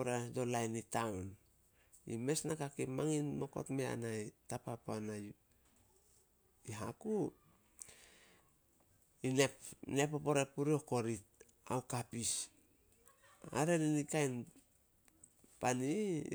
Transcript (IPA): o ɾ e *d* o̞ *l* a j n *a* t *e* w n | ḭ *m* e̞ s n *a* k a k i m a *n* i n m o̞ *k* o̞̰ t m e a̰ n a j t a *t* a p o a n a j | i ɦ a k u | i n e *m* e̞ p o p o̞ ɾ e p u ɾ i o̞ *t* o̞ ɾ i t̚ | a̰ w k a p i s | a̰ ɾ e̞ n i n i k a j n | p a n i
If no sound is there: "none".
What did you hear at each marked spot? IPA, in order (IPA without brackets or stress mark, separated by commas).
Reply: d, l, i, a, m, a, ŋ, k, p, n, k